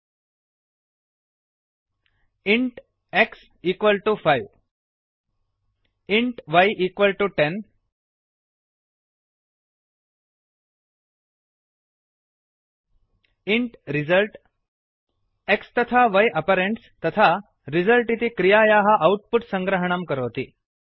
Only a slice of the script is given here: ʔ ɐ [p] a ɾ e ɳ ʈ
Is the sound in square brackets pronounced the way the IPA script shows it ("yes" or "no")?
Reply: yes